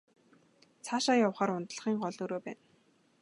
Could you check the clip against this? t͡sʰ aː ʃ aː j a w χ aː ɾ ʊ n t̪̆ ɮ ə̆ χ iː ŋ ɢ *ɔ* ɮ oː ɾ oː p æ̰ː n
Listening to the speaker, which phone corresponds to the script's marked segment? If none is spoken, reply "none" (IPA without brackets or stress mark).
ɔ